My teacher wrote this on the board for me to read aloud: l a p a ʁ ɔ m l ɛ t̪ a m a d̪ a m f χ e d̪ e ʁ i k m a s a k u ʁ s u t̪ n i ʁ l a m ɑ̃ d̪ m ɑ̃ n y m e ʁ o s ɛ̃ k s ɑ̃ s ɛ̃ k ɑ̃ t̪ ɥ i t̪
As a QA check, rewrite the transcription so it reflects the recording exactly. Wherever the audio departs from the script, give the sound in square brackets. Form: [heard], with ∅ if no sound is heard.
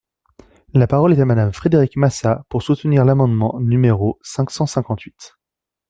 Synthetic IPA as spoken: l a p a ʁ ɔ [∅] l ɛ t̪ a m a d̪ a m f χ e d̪ e ʁ i k m a s a [p] u ʁ s u t̪ n i ʁ l a m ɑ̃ d̪ m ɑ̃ n y m e ʁ o s ɛ̃ k s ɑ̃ s ɛ̃ k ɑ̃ t̪ ɥ i t̪